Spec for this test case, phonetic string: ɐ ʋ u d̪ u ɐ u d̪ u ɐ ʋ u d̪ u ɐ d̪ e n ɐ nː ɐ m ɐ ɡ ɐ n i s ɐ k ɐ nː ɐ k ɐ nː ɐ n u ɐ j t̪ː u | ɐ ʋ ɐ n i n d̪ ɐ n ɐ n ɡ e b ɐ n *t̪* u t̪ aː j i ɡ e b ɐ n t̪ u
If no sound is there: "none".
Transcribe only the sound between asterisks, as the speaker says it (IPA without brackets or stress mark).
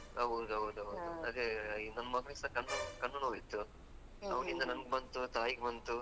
t̪